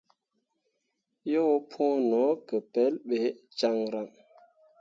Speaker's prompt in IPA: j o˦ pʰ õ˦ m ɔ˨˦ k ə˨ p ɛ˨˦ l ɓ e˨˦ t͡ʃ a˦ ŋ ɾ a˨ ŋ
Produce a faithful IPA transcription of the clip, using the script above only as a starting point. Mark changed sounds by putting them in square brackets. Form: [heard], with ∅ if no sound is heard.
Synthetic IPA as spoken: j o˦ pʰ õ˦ [n] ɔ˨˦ k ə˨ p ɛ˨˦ l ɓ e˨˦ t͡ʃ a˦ ŋ ɾ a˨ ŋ